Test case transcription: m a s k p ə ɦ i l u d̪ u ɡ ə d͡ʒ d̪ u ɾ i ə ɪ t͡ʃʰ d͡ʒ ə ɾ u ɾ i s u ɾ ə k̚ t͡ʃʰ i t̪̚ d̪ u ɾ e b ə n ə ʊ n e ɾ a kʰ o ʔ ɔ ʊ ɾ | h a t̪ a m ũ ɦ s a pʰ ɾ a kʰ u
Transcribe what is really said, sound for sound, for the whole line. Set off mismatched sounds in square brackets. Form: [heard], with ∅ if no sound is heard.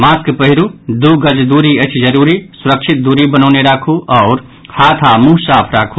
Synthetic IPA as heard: m a s k p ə ɦ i [ɾ] u d̪ u ɡ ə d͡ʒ d̪ u ɾ i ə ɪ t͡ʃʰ d͡ʒ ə ɾ u ɾ i s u ɾ ə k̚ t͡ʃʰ i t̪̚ d̪ u ɾ [i] b ə n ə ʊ n e ɾ a kʰ [u] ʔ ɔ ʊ ɾ | h a [t̪ʰ] a m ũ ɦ s a pʰ ɾ a kʰ u